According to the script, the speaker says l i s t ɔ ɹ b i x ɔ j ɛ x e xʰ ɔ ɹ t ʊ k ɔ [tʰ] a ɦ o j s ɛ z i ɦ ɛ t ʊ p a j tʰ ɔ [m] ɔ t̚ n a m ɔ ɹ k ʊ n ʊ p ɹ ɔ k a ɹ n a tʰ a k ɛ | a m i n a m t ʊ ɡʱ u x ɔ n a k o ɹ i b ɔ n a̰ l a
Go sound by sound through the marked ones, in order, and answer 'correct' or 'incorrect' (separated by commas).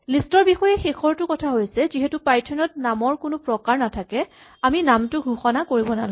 correct, incorrect